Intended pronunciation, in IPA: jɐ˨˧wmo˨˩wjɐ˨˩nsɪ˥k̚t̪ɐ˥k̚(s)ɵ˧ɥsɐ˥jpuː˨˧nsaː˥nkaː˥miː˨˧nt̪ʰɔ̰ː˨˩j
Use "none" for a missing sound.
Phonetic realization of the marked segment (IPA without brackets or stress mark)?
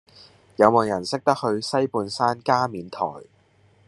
h